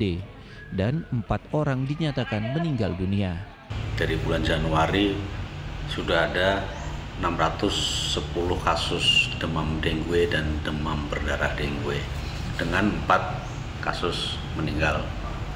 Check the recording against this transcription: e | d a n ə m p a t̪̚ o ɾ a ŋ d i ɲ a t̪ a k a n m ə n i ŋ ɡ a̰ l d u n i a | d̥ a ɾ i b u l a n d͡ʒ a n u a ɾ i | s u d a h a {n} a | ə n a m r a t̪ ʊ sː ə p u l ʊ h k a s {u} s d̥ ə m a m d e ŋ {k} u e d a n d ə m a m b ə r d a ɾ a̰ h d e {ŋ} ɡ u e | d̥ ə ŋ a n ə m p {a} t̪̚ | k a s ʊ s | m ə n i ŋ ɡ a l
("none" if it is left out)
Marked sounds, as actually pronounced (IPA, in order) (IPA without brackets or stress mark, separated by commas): d, ʊ, ɡ, ŋ, a